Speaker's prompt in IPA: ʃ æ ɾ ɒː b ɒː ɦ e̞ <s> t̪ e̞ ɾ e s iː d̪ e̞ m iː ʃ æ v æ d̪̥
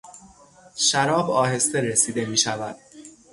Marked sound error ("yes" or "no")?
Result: no